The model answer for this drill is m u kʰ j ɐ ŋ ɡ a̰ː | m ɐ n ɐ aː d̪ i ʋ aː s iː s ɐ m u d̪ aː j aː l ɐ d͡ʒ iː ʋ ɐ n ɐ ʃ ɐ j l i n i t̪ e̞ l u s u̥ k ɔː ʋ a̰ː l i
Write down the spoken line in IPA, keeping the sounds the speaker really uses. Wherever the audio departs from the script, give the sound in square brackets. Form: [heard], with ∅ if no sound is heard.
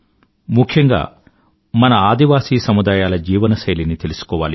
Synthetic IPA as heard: m u kʰ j ɐ ŋ ɡ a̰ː | m ɐ n ɐ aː d̪ i ʋ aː s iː s ɐ m u d̪ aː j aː l ɐ d͡ʒ iː ʋ ɐ n ɐ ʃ ɐ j l i n i t̪ e̞ l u s u̥ k ɔː ʋ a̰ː l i